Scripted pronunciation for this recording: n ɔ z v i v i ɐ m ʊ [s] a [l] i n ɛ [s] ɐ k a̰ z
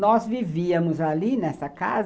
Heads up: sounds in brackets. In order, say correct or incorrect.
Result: incorrect: z, correct, correct

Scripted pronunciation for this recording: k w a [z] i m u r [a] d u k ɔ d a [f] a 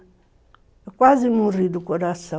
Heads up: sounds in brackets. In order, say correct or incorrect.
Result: correct, incorrect: i, incorrect: s

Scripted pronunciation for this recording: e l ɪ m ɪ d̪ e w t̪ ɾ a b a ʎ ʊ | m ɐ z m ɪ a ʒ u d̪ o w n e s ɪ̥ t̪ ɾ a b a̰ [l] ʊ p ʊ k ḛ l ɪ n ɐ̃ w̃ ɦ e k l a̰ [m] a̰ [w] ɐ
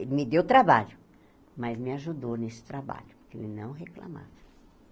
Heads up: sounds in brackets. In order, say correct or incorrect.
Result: incorrect: ʎ, correct, incorrect: v

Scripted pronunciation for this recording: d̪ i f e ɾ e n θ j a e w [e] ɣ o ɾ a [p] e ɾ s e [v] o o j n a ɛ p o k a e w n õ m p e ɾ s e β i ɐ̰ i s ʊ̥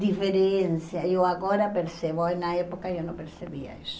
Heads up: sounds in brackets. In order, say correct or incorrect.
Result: incorrect: a, correct, incorrect: β

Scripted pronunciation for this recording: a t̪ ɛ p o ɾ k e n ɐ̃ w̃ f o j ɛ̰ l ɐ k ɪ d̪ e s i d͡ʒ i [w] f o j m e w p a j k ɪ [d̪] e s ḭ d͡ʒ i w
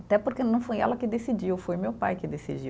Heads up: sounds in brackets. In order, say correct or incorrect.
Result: correct, correct

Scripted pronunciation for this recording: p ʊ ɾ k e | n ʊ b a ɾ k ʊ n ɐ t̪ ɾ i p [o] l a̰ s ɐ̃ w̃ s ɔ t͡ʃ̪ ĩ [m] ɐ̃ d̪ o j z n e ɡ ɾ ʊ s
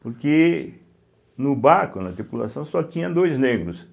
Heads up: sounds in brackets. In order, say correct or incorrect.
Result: incorrect: u, incorrect: ɲ

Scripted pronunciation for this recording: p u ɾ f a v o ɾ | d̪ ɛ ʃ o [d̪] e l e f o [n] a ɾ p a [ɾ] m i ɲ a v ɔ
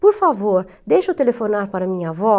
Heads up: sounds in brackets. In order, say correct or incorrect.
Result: incorrect: t̪, correct, correct

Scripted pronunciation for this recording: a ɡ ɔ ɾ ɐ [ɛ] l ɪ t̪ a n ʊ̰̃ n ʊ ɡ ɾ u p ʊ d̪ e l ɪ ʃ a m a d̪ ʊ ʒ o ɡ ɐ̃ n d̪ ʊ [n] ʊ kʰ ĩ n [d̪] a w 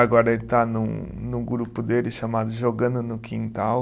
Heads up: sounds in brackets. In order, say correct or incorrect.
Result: incorrect: e, correct, incorrect: t̪

